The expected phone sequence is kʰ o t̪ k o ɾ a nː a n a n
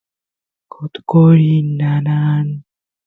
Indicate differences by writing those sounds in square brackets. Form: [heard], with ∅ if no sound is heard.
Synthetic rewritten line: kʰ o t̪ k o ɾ [i] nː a n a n